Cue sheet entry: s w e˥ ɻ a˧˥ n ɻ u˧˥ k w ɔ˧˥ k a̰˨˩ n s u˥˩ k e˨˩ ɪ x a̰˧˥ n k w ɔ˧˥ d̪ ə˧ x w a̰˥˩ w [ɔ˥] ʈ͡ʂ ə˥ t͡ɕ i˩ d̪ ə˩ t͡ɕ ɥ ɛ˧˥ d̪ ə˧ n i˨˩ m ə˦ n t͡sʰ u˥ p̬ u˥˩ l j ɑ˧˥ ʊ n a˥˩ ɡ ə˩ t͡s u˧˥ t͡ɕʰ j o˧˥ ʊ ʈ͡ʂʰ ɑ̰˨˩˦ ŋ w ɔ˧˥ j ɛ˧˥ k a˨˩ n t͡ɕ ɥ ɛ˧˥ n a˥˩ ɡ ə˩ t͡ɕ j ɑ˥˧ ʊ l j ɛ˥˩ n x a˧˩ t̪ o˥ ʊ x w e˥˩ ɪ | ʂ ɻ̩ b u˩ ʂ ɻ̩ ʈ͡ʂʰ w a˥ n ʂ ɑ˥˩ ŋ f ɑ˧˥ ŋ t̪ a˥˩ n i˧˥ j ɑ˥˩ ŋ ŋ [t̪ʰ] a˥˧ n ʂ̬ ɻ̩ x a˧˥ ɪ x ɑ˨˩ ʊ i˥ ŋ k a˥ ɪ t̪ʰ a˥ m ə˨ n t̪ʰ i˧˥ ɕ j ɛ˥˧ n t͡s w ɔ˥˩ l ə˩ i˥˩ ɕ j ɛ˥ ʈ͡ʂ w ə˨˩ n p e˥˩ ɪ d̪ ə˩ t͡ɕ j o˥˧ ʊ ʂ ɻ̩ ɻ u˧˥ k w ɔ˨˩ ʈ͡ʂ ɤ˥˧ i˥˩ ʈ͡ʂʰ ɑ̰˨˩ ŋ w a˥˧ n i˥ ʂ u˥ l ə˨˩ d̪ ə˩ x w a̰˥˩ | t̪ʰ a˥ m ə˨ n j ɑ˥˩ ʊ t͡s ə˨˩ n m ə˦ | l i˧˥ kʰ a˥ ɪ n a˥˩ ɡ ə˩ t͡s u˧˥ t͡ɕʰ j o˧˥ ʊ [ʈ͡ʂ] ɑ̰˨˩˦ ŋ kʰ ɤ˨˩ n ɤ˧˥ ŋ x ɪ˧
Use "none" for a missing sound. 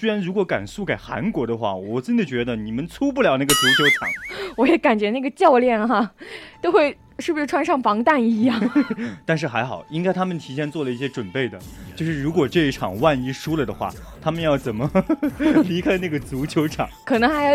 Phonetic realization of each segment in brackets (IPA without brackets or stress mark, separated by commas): ɔ˨˩, t̪, ʈ͡ʂʰ